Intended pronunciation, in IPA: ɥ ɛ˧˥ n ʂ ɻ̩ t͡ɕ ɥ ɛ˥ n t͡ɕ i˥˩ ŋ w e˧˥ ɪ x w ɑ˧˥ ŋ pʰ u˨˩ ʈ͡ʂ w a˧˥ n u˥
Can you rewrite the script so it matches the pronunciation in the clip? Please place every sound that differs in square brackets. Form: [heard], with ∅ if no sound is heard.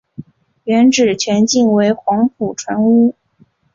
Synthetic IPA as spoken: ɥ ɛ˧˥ n [ʈ͡ʂ] ɻ̩ [t͡ɕʰ] ɥ [ɛ˧˥] n t͡ɕ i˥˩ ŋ w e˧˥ ɪ x w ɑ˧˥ ŋ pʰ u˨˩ [ʈ͡ʂʰ] w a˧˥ n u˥